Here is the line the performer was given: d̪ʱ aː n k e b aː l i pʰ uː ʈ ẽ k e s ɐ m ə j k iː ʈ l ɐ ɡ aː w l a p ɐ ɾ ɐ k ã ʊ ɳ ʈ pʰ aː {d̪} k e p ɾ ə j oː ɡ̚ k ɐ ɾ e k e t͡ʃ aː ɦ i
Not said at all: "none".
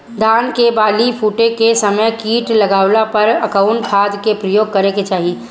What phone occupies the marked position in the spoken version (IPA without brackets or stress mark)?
d̪